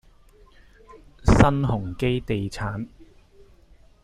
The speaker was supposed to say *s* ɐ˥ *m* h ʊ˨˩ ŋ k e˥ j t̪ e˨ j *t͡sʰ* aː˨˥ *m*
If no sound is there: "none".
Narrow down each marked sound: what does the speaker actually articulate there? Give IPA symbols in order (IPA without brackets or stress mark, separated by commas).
s, n, t͡sʰ, n